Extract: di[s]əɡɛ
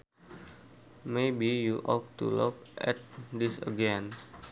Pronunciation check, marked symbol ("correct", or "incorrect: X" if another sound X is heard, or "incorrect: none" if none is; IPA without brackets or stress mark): correct